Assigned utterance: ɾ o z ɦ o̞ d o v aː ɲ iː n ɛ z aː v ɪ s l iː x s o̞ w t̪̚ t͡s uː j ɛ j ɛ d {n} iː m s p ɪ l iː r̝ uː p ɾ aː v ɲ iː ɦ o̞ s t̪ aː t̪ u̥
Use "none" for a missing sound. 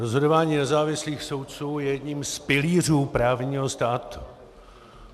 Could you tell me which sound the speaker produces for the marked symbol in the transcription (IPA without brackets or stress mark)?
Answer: ɲ